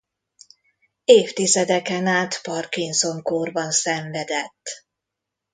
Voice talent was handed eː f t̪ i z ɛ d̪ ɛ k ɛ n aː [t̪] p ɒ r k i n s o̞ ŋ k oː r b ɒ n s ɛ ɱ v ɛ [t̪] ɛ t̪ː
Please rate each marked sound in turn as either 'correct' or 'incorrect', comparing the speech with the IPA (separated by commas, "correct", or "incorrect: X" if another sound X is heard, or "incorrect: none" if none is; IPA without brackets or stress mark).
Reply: correct, incorrect: d̪